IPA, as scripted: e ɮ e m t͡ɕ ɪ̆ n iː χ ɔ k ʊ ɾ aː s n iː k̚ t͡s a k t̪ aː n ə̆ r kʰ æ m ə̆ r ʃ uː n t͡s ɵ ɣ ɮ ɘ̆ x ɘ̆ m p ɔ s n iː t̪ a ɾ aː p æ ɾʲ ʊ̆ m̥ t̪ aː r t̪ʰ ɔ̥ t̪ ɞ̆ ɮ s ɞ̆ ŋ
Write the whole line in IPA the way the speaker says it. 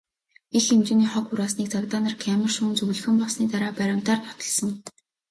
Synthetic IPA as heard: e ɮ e m t͡ɕ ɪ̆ n iː χ ɔ k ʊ ɾ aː s n iː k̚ t͡s a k t̪ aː n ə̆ r kʰ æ m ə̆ r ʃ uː n t͡s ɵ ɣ ɮ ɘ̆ x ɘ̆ m p ɔ s n iː t̪ a ɾ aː p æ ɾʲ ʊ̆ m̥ t̪ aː r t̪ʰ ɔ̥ t̪ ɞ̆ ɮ s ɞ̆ ŋ